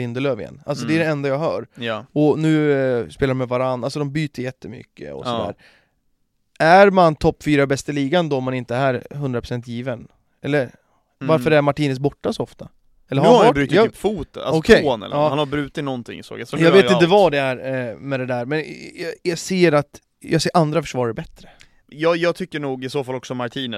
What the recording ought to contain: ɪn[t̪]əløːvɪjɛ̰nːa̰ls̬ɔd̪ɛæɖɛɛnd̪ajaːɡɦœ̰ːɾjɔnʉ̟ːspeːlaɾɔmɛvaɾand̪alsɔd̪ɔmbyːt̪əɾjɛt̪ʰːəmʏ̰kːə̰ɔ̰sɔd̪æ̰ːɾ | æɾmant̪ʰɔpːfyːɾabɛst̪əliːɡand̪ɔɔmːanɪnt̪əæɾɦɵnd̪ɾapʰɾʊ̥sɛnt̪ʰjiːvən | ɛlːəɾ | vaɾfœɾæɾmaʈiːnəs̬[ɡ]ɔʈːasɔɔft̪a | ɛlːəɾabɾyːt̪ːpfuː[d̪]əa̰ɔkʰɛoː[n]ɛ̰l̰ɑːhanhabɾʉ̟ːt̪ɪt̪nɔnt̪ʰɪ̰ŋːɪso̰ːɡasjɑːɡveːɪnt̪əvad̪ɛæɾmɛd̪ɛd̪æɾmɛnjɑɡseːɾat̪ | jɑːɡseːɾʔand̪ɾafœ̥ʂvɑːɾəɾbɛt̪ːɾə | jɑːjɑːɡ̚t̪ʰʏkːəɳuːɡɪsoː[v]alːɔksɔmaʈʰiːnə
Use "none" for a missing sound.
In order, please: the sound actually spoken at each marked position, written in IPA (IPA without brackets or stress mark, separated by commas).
d̪, b, t̪, n, f